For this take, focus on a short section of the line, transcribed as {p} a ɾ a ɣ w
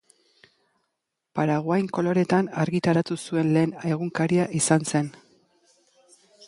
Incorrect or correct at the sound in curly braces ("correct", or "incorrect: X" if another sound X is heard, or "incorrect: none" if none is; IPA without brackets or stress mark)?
correct